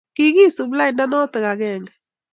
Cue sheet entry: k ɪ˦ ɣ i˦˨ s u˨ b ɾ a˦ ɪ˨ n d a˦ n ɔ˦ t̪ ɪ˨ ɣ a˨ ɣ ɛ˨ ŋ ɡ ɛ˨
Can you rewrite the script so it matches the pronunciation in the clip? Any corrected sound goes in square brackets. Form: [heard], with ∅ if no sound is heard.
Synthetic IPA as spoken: k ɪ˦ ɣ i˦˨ s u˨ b [l] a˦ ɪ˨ n d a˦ n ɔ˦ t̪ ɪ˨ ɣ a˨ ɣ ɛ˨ ŋ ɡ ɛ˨

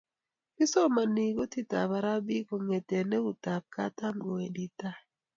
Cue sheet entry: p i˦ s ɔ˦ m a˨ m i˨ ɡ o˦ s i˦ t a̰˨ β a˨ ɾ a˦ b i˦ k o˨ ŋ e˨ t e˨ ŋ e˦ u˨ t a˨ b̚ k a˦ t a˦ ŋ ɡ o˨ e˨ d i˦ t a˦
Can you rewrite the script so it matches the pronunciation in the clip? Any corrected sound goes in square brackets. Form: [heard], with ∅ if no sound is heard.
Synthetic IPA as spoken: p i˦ s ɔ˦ m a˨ [n] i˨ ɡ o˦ [t] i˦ t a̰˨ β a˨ ɾ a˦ b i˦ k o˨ ŋ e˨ t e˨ [n] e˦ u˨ t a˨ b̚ k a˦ t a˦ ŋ ɡ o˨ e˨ d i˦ t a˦

